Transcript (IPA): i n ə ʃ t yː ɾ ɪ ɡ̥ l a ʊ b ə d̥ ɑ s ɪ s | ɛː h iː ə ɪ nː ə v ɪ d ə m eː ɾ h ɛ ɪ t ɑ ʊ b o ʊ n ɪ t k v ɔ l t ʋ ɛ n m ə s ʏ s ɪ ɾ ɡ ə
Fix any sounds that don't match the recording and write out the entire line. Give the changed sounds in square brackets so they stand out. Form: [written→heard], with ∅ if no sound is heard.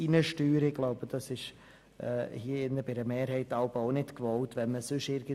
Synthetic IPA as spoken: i n ə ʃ t yː ɾ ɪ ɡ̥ l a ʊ b ə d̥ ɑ s ɪ [s→ʃ] | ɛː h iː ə ɪ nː ə [v→b] ɪ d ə m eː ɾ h ɛ ɪ t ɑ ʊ b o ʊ n ɪ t k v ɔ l t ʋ ɛ n m ə s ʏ [s→ʃ] ɪ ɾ ɡ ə